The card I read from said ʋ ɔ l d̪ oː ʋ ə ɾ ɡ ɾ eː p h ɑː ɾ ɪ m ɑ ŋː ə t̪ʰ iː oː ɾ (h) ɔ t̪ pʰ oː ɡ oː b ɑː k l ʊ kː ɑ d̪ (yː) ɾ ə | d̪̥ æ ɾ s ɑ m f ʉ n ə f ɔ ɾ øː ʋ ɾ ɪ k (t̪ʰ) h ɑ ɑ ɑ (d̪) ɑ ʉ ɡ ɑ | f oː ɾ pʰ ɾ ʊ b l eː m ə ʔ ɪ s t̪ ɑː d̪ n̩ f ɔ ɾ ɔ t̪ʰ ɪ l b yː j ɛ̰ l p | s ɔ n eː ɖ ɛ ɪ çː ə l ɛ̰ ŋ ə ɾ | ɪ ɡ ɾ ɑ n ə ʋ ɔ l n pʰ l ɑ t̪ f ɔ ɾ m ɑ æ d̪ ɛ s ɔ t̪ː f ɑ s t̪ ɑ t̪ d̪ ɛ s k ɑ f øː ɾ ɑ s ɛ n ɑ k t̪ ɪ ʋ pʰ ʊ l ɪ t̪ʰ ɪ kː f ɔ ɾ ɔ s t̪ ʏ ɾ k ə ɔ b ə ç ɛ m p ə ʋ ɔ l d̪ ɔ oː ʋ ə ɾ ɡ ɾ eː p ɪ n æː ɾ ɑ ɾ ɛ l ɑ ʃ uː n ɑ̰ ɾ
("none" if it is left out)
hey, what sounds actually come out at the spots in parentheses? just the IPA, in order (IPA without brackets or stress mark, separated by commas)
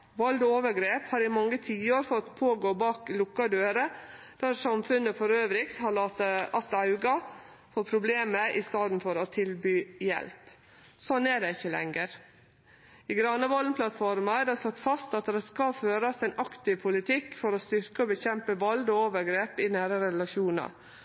f, øː, t̪, t̪